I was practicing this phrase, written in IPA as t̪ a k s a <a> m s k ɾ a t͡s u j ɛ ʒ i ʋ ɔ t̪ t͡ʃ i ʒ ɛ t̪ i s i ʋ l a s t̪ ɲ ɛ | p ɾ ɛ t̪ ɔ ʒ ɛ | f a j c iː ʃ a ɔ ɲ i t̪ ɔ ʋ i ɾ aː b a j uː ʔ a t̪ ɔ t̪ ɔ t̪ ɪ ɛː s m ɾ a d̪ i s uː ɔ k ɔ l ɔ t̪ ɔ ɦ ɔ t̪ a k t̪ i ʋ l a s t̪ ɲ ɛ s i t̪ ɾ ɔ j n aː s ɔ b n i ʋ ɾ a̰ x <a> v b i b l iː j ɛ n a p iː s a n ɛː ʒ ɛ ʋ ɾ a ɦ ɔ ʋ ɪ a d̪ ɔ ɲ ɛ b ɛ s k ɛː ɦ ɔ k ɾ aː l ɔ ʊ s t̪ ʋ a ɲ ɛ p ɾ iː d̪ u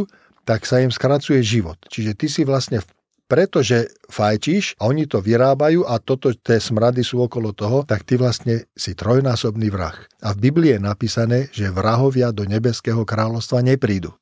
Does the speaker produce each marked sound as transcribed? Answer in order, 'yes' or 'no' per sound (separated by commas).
no, yes